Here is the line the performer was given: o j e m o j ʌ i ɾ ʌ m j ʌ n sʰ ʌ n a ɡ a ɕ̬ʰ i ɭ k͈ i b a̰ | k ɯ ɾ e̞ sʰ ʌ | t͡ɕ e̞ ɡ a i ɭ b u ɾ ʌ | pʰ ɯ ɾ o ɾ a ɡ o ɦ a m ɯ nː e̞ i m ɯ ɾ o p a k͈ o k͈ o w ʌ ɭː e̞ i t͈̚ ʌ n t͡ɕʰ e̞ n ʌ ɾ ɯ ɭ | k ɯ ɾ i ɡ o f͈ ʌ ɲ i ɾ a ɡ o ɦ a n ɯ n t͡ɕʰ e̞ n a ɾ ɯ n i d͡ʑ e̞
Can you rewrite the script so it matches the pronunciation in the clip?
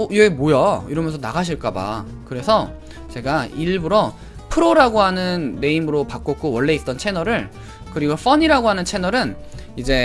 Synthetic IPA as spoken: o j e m o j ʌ i ɾ ʌ m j ʌ n sʰ ʌ n a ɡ a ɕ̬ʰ i ɭ k͈ a b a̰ | k ɯ ɾ e̞ sʰ ʌ | t͡ɕ e̞ ɡ a i ɭ b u ɾ ʌ | pʰ ɯ ɾ o ɾ a ɡ o ɦ a n ɯ nː e̞ i m ɯ ɾ o p a k͈ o k͈ o w ʌ ɭː e̞ i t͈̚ ʌ n t͡ɕʰ e̞ n ʌ ɾ ɯ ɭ | k ɯ ɾ i ɡ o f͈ ʌ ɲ i ɾ a ɡ o ɦ a n ɯ n t͡ɕʰ e̞ n ʌ ɾ ɯ n i d͡ʑ e̞